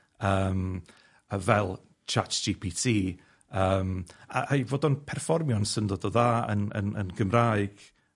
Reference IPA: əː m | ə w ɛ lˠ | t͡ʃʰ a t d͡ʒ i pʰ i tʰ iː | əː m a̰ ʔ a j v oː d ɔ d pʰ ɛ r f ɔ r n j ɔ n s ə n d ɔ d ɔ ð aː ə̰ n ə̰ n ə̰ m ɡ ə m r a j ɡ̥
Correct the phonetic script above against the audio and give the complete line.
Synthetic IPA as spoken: əː m | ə v ɛ lˠ | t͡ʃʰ a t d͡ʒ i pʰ i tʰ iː | əː m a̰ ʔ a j v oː d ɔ n pʰ ɛ r f ɔ r m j ɔ n s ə n d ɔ d ɔ ð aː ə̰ n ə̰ n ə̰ n ɡ ə m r a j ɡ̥